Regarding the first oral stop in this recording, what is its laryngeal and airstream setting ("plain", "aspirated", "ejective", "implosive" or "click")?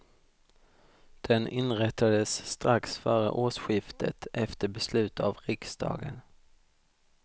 plain